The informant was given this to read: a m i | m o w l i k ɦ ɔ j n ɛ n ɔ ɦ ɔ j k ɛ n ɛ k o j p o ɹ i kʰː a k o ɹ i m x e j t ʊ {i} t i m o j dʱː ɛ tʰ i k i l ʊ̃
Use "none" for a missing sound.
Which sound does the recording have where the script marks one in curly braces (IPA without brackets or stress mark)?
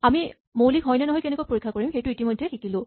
i